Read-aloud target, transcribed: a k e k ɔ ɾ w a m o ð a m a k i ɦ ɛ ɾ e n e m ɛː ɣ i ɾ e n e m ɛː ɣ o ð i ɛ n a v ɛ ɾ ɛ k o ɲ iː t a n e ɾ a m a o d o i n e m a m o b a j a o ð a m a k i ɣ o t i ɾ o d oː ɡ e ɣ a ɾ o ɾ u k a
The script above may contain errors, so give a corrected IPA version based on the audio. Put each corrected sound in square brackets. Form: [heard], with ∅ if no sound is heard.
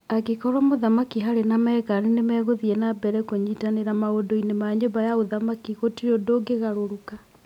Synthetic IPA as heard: a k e k ɔ ɾ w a m o ð a m a k i ɦ [a] ɾ e n [a] m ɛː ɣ [a] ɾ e n e m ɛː ɣ o ð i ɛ n a [b] ɛ ɾ ɛ k o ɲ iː t a n e ɾ a m a o d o i n e m a [ɲ] o b a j a o ð a m a k i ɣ o t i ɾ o d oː ɡ e ɣ a ɾ o ɾ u k a

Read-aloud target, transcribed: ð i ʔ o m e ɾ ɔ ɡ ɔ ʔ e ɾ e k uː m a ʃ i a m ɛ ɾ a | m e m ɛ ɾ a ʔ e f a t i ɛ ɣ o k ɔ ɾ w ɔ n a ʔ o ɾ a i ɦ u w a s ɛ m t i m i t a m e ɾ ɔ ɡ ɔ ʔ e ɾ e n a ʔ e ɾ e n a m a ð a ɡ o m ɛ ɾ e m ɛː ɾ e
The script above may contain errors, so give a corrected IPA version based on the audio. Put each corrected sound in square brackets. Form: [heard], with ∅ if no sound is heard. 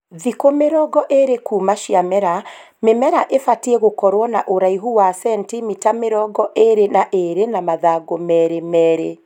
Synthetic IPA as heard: ð i [k] o m e ɾ ɔ ɡ ɔ ʔ e ɾ e k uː m a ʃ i a m ɛ ɾ a | m e m ɛ ɾ a ʔ e f a t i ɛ ɣ o k ɔ ɾ w ɔ n a ʔ o ɾ a i ɦ u w a s ɛ [n] t i m i t a m e ɾ ɔ ɡ ɔ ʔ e ɾ e n a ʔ e ɾ e n a m a ð a ɡ o m ɛ ɾ e m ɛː ɾ e

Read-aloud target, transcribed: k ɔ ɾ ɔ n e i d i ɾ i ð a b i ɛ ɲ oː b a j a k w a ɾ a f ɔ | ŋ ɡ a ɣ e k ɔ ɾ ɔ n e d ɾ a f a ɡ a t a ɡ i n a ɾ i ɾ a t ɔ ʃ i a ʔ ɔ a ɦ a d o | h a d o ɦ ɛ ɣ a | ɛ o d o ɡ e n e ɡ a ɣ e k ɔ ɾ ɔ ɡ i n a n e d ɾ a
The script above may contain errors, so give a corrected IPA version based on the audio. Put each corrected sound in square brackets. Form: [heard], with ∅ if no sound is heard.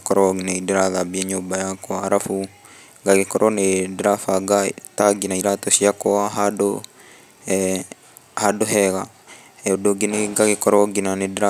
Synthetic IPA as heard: k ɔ ɾ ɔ n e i d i ɾ [a] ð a b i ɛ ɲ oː b a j a k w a ɾ a f [u] | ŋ ɡ a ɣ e k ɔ ɾ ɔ n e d ɾ a f a ɡ a t a ɡ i n a [∅] i ɾ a t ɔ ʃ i a [k] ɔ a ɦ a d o | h a d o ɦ ɛ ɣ a | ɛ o d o ɡ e n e ɡ a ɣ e k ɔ ɾ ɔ ɡ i n a n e d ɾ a

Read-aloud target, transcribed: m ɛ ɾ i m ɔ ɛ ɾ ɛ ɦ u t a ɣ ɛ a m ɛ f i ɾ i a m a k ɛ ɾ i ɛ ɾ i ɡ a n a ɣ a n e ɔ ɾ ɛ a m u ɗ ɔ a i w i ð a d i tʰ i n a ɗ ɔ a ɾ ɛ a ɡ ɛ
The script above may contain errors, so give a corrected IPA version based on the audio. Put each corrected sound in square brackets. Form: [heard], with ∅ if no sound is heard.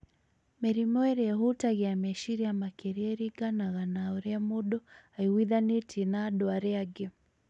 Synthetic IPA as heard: m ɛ ɾ i m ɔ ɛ ɾ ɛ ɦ u t a ɣ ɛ a m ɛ [ʃ] i ɾ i a m a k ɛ ɾ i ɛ ɾ i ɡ a n a ɣ a n [a] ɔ ɾ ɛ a m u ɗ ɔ a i w i ð a [n] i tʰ i n a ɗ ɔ a ɾ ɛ a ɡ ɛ

